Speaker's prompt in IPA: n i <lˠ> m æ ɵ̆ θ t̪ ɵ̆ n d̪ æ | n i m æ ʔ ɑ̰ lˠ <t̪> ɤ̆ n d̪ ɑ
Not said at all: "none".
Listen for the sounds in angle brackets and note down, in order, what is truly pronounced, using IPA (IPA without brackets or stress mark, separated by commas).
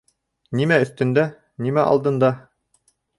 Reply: none, d̪